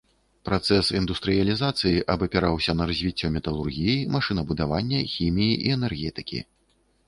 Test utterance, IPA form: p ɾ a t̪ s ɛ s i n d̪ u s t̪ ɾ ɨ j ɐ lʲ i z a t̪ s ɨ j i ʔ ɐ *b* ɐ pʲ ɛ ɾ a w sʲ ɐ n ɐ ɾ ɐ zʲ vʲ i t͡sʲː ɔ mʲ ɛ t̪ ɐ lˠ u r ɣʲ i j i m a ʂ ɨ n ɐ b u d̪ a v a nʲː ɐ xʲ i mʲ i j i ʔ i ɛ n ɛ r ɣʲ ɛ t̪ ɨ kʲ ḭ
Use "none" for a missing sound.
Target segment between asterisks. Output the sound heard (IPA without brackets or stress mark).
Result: b